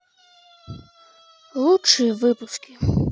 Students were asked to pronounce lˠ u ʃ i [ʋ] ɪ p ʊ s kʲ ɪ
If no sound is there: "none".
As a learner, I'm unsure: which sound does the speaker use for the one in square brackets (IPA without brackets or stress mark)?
ʋ